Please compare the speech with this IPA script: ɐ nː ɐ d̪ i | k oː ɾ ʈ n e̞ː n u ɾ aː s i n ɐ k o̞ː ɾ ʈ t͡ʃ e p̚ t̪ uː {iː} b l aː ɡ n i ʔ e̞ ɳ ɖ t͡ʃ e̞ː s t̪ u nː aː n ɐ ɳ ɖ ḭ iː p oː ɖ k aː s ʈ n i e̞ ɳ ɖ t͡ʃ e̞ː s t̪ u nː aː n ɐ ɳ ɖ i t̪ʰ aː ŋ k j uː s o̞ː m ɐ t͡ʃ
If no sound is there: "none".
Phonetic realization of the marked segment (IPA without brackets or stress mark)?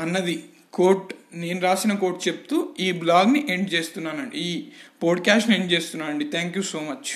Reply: iː